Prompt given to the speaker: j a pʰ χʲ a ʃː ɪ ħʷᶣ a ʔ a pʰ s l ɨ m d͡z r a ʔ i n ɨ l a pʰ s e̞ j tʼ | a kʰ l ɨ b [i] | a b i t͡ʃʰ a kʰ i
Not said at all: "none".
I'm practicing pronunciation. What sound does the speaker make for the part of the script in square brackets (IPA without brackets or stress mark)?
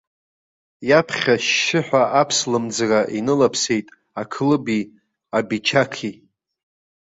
i